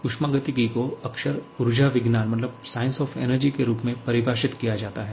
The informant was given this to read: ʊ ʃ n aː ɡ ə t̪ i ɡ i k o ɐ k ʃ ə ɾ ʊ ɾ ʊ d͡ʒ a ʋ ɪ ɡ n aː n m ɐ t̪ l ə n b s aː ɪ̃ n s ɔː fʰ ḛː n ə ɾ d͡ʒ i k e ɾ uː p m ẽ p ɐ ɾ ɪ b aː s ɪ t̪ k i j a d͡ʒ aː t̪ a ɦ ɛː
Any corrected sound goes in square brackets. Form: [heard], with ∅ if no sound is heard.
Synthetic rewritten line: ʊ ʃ [m] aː ɡ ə t̪ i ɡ i k o ɐ k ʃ ə ɾ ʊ ɾ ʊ d͡ʒ a ʋ ɪ ɡ n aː n m ɐ t̪ l ə [∅] b s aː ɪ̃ n s ɔː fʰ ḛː n ə ɾ d͡ʒ i k e ɾ uː p m ẽ p ɐ ɾ ɪ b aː [ʃ] ɪ t̪ k i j a d͡ʒ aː t̪ a ɦ ɛː